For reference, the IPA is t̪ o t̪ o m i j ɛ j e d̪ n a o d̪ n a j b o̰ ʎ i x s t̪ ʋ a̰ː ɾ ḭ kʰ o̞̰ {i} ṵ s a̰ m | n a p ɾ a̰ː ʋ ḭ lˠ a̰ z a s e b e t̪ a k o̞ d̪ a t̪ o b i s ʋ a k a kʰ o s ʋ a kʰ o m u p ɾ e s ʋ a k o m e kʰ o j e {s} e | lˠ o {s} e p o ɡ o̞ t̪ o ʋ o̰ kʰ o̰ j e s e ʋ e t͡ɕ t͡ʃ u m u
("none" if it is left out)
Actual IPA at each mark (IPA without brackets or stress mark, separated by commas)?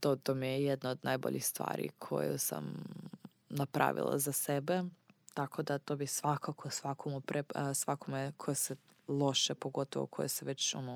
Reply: j, s, ʃ